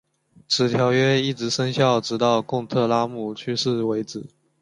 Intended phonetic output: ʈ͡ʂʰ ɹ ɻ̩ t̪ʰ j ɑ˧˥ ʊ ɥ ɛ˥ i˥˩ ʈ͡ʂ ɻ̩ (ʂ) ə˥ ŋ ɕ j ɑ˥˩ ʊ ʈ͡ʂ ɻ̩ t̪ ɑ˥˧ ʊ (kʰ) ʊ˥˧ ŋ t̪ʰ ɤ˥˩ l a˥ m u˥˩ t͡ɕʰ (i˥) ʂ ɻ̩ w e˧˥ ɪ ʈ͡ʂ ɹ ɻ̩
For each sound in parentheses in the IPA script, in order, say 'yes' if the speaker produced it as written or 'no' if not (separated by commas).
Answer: yes, no, no